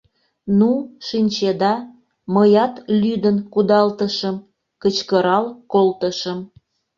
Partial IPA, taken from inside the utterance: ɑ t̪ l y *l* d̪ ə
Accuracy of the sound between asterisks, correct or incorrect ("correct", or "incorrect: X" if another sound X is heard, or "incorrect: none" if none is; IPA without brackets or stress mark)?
incorrect: none